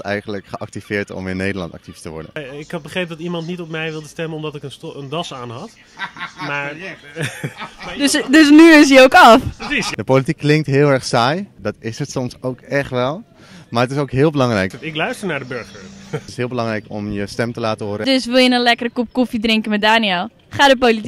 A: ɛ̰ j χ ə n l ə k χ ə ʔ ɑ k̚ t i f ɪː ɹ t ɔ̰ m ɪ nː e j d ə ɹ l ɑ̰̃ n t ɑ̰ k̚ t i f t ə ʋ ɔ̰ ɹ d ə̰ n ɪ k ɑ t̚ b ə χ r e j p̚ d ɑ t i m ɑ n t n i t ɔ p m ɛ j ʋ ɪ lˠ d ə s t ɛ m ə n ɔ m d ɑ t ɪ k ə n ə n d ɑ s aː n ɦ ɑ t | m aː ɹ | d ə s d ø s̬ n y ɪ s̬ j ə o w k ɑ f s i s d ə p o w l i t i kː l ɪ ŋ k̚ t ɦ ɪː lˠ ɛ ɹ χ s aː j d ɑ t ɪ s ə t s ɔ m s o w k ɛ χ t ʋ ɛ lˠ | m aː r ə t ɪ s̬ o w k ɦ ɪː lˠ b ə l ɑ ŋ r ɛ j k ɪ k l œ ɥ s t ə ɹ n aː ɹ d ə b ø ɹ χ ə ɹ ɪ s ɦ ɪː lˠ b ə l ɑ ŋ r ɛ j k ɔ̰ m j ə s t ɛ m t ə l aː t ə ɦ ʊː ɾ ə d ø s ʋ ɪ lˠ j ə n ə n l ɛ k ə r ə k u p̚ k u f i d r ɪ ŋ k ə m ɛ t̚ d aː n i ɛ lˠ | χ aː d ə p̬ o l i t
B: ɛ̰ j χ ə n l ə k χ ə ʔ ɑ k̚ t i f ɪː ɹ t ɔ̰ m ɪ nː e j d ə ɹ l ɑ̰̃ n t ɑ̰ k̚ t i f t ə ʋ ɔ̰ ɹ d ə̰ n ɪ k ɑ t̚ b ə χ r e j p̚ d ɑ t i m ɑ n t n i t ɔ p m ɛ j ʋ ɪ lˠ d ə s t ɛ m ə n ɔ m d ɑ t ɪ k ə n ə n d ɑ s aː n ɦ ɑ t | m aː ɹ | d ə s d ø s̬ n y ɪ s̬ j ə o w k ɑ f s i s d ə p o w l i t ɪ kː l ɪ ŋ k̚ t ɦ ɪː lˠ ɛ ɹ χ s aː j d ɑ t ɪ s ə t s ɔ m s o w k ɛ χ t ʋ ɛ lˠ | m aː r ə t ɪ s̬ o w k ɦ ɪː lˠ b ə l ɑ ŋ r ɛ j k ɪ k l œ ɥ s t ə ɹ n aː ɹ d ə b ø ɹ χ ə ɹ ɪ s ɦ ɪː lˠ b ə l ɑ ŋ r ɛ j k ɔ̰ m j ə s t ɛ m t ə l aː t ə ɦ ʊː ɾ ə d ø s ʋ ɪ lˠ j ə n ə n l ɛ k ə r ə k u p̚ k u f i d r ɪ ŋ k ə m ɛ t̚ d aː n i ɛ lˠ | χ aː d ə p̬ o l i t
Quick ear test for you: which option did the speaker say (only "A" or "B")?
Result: A